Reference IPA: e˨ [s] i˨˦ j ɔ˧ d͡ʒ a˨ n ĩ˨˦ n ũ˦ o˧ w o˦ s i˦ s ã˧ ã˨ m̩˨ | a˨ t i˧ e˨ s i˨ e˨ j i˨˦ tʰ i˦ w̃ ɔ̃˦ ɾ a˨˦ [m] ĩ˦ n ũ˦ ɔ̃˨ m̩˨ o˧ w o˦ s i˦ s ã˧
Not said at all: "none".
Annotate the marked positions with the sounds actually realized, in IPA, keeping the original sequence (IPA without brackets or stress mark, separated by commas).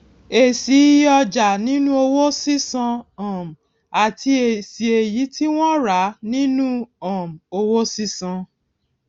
s, n